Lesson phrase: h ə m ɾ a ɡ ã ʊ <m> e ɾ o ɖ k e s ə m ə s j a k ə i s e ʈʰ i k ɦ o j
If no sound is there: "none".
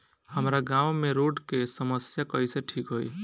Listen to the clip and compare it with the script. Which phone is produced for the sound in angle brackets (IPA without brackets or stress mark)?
m